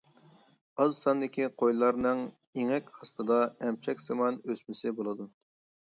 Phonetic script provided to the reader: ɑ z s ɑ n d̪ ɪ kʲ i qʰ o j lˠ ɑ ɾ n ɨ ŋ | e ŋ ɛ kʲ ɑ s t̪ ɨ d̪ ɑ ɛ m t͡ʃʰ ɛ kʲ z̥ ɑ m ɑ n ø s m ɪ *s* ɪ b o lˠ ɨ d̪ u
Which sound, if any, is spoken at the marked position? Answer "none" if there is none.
s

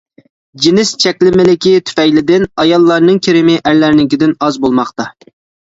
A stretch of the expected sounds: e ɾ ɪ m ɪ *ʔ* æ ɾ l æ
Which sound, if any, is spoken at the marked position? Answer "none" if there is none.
ʔ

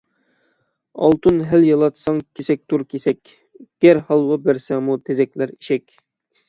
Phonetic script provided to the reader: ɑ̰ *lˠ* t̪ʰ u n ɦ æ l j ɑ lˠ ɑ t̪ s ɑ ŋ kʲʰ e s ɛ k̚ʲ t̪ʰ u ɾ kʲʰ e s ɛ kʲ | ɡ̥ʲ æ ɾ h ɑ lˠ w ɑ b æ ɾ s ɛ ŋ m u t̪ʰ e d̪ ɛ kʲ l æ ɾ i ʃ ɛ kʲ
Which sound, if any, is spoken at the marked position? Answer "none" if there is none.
lˠ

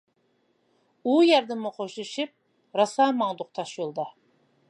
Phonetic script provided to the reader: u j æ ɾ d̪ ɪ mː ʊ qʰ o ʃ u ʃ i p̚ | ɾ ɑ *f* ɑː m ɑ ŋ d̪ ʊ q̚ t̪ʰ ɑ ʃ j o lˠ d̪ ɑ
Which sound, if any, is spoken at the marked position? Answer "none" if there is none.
s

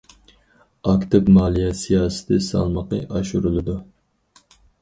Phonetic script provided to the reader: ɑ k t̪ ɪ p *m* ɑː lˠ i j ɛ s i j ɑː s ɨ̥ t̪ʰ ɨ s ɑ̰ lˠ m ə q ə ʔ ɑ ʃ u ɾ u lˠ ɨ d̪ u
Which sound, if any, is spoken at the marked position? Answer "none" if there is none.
m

